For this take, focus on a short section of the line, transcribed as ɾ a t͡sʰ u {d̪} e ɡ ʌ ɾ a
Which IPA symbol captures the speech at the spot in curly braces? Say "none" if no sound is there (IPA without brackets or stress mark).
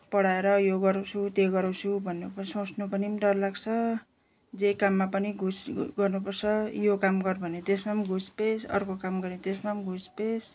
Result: t̪